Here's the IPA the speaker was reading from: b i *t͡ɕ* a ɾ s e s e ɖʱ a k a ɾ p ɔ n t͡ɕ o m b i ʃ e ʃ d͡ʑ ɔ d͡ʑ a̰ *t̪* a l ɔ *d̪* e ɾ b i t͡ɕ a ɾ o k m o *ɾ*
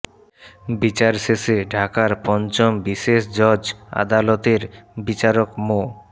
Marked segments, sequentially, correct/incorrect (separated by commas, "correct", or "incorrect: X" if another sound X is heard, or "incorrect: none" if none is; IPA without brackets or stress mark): correct, incorrect: d̪, incorrect: t̪, incorrect: none